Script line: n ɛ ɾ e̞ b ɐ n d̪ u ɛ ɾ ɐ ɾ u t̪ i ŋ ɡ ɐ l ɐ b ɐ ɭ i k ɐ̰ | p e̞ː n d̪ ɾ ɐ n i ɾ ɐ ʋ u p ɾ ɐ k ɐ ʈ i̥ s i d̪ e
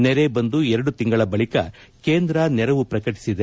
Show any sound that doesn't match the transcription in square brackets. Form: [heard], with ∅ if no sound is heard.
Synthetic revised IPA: n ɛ ɾ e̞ b ɐ n d̪ u ɛ ɾ ɐ [ɽ] u t̪ i ŋ ɡ ɐ [ɭ] ɐ b ɐ ɭ i k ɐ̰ | [k] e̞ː n d̪ ɾ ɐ n [ɛ] ɾ ɐ ʋ u p ɾ ɐ k ɐ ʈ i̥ s i d̪ e